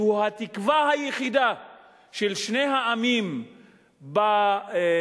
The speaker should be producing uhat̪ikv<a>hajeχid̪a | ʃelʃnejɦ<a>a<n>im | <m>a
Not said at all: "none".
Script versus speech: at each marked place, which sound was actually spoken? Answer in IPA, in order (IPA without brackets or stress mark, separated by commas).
a, a, m, b